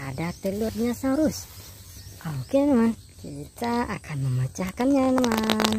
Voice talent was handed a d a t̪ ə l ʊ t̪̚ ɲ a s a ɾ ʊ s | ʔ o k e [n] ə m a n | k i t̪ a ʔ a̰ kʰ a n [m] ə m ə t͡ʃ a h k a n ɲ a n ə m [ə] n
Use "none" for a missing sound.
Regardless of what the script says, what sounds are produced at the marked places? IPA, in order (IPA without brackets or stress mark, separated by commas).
n, m, a